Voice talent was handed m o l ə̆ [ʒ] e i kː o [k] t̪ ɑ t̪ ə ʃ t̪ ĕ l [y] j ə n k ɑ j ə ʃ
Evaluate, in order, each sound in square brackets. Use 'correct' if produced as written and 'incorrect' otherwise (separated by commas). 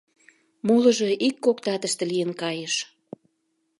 correct, correct, incorrect